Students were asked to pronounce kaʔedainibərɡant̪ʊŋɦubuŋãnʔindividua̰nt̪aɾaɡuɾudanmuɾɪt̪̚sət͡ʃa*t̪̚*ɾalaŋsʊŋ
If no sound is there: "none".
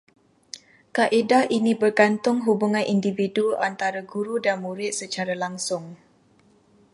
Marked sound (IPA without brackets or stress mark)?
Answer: none